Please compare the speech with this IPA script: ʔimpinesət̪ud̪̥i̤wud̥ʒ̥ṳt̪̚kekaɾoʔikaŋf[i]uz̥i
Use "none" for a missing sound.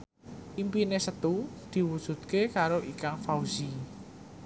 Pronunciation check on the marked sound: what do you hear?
a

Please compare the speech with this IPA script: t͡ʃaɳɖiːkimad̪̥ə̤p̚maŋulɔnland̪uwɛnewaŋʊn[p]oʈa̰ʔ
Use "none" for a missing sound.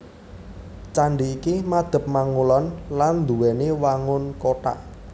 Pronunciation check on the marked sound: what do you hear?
k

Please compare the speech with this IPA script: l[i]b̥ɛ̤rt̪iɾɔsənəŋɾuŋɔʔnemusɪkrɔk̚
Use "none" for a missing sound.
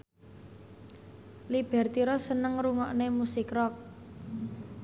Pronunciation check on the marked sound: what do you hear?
i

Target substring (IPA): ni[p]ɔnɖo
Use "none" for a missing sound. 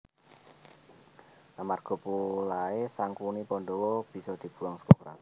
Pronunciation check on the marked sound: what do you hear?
p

